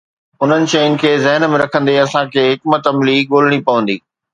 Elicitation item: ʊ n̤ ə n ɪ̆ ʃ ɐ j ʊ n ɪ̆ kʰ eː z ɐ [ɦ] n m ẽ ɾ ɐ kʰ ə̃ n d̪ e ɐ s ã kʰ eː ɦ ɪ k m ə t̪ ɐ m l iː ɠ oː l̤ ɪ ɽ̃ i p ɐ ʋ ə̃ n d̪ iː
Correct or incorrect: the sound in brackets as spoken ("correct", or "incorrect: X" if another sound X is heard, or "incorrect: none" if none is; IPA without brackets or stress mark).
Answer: correct